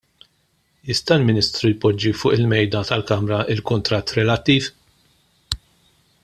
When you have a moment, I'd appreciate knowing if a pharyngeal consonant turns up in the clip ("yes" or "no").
no